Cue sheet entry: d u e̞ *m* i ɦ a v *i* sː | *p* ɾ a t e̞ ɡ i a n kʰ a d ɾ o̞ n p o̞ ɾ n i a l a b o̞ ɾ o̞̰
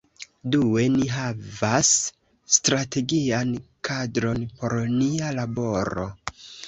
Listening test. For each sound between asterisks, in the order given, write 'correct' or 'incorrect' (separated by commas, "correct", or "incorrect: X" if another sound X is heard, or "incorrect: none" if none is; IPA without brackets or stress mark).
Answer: incorrect: n, incorrect: a, incorrect: t